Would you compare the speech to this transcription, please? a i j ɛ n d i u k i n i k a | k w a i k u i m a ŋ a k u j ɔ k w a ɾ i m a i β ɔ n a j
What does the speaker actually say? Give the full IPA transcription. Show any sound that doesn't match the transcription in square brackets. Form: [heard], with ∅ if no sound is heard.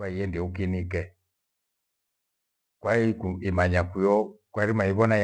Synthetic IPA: a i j ɛ n d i u k i n i k [ɛ] | k w a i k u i m a [ɲ] a k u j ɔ k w a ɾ i m a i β ɔ n a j